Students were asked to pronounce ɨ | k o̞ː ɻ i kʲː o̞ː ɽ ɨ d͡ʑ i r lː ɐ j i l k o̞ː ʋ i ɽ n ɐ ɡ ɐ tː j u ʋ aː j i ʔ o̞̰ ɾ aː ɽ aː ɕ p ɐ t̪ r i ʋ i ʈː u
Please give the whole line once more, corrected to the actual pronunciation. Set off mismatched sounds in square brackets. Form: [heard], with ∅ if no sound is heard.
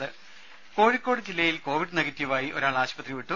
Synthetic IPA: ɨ | k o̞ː ɻ i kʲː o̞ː ɽ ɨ d͡ʑ i [∅] lː ɐ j i l k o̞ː ʋ i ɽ n ɐ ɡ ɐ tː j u ʋ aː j i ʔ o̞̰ ɾ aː [ɭ] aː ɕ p ɐ t̪ r i ʋ i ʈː u